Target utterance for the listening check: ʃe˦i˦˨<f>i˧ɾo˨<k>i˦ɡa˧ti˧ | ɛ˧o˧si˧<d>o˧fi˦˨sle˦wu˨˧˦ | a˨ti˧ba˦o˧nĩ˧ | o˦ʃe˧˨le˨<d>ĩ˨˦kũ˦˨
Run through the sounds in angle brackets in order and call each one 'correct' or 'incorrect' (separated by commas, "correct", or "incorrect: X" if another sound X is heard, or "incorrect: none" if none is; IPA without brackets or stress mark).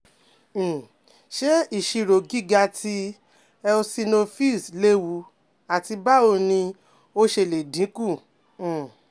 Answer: incorrect: ʃ, incorrect: ɡ, incorrect: n, correct